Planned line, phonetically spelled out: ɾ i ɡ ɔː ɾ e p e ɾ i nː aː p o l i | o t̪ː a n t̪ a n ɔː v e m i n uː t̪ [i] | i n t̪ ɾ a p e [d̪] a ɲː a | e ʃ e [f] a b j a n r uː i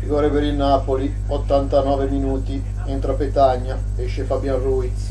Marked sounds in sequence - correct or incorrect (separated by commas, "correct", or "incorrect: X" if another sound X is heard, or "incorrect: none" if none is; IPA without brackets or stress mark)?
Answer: correct, incorrect: t̪, correct